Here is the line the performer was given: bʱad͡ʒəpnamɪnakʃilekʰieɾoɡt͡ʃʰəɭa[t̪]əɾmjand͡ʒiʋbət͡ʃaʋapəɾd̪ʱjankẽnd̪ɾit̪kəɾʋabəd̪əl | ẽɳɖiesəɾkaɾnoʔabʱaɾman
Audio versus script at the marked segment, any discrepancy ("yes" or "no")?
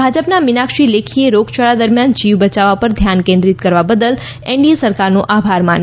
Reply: yes